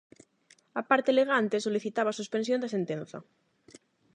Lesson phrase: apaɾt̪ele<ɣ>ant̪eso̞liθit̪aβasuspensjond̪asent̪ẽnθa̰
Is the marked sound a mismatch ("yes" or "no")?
no